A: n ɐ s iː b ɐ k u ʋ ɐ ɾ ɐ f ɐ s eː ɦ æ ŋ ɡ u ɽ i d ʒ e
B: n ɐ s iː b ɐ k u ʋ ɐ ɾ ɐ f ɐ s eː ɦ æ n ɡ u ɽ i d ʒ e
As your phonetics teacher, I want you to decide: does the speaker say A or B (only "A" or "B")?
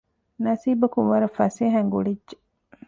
A